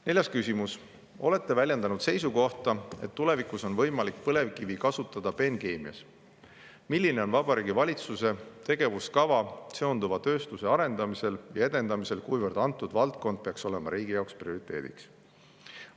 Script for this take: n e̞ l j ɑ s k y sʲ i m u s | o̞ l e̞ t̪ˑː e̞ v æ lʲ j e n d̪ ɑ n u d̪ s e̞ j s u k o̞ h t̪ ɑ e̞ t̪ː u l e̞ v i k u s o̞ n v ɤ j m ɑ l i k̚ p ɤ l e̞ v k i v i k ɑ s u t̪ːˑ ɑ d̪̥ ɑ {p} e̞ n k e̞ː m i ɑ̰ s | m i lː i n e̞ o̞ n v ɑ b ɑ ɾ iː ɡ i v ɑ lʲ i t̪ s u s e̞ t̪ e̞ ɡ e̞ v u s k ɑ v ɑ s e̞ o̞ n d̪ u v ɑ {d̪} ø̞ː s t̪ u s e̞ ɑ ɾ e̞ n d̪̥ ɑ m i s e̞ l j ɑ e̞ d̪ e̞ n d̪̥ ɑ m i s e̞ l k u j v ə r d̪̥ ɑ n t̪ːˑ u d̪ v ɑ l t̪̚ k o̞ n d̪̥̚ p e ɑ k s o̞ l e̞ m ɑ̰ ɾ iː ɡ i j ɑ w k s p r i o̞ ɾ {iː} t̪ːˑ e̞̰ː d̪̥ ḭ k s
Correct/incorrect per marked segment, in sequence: correct, incorrect: t̪, incorrect: i

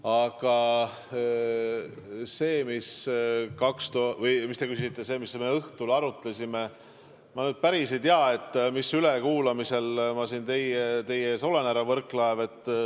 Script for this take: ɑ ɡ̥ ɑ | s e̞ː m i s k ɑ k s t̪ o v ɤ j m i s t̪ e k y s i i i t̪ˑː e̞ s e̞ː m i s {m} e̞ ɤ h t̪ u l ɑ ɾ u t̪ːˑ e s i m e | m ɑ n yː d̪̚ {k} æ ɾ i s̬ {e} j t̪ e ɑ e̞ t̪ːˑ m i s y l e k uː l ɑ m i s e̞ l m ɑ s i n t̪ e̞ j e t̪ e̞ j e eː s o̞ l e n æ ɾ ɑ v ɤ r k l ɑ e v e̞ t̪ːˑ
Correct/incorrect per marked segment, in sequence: correct, incorrect: p, correct

